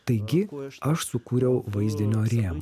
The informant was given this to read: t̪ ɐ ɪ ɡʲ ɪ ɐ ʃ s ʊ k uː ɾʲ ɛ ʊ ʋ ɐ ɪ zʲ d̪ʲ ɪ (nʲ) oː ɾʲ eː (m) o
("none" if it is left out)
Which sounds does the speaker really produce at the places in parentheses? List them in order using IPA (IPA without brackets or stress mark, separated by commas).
nʲ, m